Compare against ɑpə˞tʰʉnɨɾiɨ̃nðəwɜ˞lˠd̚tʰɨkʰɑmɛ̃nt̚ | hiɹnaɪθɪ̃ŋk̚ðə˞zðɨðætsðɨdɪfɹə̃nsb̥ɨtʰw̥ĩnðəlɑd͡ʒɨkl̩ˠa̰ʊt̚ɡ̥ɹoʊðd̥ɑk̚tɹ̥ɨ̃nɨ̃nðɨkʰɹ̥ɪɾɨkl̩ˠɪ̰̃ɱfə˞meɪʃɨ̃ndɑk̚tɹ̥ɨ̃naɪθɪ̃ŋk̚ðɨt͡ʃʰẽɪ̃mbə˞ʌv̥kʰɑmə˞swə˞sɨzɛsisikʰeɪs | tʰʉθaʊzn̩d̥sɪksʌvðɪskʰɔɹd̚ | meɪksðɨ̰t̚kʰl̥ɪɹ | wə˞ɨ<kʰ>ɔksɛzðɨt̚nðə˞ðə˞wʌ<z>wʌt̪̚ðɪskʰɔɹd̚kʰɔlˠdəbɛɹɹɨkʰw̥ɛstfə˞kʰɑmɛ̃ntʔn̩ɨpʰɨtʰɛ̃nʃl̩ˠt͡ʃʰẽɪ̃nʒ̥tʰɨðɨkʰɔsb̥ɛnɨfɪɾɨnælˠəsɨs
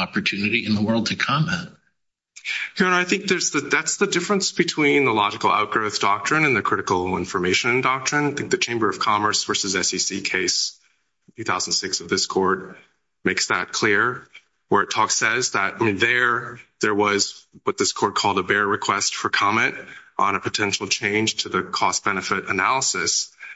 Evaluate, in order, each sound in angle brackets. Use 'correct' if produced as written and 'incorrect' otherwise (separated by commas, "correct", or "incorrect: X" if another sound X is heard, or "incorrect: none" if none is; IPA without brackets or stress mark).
incorrect: tʰ, correct